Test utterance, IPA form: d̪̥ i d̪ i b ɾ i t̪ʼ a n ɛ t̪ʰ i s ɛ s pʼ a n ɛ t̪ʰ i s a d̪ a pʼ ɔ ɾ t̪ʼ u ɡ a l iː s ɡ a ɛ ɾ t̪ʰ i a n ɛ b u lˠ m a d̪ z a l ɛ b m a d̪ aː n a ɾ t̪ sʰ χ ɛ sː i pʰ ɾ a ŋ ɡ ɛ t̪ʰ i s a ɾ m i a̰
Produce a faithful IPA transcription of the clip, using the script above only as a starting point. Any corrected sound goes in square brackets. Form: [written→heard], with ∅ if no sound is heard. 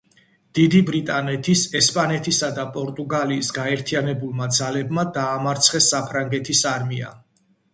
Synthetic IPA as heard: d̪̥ i d̪ i b ɾ i t̪ʼ a n ɛ t̪ʰ i s ɛ s pʼ a n ɛ t̪ʰ i s a d̪ a pʼ ɔ ɾ t̪ʼ u ɡ a l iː s ɡ a ɛ ɾ t̪ʰ i a n ɛ b u lˠ m a d̪ z a l ɛ b m a d̪ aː [n→m] a ɾ t̪ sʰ χ ɛ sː [i→a] pʰ ɾ a ŋ ɡ ɛ t̪ʰ i s a ɾ m i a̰